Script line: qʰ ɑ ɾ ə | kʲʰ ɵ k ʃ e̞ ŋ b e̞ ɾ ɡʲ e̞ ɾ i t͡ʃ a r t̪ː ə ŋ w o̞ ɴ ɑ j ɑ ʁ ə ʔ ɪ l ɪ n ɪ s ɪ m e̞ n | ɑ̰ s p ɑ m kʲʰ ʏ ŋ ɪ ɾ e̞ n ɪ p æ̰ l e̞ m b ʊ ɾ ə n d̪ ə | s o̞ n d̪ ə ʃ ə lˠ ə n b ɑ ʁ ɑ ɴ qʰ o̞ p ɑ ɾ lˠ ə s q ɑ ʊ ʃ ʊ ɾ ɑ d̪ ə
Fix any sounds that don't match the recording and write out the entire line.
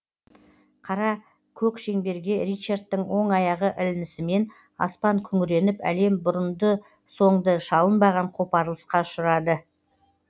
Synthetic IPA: qʰ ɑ ɾ ɑ | kʲʰ ɵ k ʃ e̞ ŋ b e̞ ɾ ɡʲ e̞ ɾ i t͡ʃ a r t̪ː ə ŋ w o̞ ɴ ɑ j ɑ ʁ ə ʔ ɪ l ɪ n ɪ s ɪ m e̞ n | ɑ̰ s p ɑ ŋ kʲʰ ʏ ŋ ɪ ɾ e̞ n ɪ p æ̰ l e̞ m b ʊ ɾ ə n d̪ ə | s o̞ ɴ d̪ ə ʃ ɑ lˠ ə n b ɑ ʁ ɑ ɴ qʰ o̞ p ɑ ɾ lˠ ə s q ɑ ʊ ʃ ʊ ɾ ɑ d̪ ə